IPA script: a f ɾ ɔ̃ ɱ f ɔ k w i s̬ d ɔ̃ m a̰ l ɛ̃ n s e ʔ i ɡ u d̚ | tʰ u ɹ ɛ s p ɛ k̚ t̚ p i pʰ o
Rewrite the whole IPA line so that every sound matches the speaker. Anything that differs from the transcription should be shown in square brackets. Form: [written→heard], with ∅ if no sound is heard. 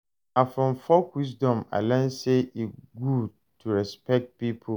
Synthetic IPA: a f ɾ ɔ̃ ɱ f ɔ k w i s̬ d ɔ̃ m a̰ l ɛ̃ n s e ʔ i ɡ u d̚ | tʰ u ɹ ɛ s p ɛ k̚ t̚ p i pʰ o